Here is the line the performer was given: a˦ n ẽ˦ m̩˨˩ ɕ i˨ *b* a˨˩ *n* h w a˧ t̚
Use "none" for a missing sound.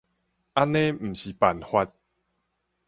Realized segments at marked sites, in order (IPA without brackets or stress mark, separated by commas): p, n